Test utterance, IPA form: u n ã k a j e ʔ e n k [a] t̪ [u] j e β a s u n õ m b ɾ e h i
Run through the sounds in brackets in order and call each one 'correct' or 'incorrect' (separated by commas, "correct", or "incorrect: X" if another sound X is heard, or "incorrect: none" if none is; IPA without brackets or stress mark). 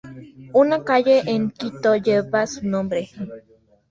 incorrect: i, incorrect: o